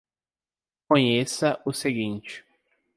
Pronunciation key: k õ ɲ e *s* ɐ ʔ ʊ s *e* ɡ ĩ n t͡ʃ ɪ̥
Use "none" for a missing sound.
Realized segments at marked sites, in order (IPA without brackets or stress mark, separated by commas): s, e